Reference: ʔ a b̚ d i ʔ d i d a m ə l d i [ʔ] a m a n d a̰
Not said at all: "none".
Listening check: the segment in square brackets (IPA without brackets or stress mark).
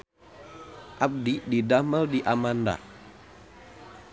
ʔ